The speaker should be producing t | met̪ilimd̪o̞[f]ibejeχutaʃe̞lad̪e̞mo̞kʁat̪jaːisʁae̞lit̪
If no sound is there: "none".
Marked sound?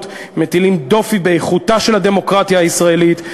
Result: f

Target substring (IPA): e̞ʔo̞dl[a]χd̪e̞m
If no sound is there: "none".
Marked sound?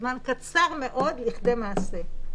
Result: i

